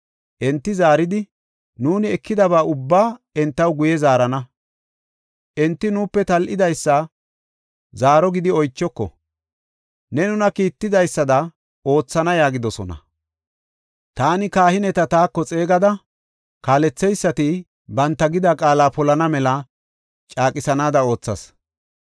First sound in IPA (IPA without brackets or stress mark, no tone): ʔ